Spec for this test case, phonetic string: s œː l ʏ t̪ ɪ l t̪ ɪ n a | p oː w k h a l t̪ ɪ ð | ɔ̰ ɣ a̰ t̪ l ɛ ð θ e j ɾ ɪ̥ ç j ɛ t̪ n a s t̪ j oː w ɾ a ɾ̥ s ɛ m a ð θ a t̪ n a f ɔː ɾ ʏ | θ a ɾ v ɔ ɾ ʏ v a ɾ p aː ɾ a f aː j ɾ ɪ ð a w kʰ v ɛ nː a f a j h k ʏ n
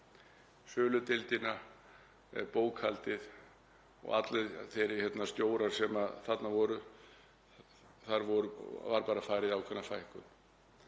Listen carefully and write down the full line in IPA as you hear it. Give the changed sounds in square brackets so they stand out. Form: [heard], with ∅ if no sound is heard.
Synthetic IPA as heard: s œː l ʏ t̪ ɪ l t̪ ɪ n a | p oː w k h a l t̪ ɪ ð | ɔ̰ ɣ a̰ t̪ l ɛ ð θ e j ɾ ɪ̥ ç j ɛ t̪ n a s t̪ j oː w ɾ a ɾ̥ s ɛ m a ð θ a t̪ n a [v] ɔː ɾ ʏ | θ a ɾ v ɔ ɾ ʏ v a ɾ p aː ɾ a f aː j ɾ ɪ ð a w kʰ v ɛ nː a f a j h k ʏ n

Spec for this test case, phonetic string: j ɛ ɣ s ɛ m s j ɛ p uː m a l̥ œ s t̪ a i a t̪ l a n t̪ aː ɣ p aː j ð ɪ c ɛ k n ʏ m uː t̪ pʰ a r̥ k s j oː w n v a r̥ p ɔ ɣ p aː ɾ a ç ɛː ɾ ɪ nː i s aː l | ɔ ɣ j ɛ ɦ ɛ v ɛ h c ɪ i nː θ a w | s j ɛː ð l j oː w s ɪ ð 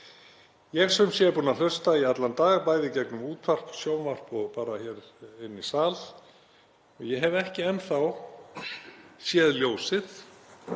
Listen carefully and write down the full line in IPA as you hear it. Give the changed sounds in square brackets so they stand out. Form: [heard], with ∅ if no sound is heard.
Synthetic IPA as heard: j ɛ ɣ s ɛ m s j ɛ p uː [n] a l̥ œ s t̪ a i a t̪ l a n t̪ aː ɣ p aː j ð ɪ c ɛ k n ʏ m uː t̪ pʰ a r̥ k s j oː w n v a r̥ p ɔ ɣ p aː ɾ a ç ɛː ɾ ɪ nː i s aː l | ɔ ɣ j ɛ ɦ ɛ v ɛ h c ɪ [ɛ] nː θ a w | s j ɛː ð l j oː w s ɪ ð

